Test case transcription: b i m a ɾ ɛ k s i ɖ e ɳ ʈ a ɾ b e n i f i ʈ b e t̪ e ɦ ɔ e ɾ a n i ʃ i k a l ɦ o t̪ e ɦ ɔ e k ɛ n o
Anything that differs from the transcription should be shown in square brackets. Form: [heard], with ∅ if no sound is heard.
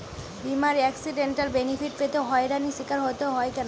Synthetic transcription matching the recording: b i m a ɾ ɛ k s i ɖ e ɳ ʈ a ɾ b e n i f i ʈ [p] e t̪ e ɦ ɔ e ɾ a n i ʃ i k a [ɾ] ɦ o t̪ e ɦ ɔ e k ɛ n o